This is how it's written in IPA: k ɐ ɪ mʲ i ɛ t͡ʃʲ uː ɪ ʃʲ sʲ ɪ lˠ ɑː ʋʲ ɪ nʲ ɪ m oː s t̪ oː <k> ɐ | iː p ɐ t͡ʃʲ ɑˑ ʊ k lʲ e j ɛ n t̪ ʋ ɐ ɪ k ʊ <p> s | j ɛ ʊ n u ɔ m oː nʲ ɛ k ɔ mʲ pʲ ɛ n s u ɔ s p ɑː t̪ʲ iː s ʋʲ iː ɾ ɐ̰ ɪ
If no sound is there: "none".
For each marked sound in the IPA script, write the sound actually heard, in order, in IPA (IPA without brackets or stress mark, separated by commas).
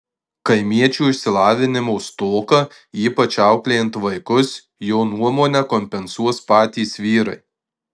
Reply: k, none